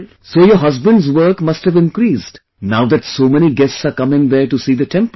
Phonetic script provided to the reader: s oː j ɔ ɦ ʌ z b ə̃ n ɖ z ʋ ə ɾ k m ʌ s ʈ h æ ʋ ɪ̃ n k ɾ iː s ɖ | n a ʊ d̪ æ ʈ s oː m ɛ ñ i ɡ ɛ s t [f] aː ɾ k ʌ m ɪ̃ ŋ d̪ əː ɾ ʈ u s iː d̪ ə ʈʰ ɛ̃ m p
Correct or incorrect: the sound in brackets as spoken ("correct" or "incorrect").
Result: incorrect